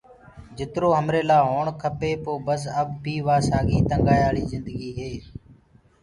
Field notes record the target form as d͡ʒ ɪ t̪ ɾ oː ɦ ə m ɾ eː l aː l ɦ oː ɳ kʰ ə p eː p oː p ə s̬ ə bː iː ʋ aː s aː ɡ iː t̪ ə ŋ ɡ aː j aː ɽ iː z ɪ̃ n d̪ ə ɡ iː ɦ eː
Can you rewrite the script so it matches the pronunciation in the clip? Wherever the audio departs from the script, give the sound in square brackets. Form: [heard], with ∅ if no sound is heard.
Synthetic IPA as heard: d͡ʒ ɪ t̪ ɾ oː ɦ ə m ɾ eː l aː [∅] ɦ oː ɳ kʰ ə p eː p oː [b] ə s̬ ə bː iː ʋ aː s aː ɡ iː t̪ ə ŋ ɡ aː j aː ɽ iː z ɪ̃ n d̪ ə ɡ iː ɦ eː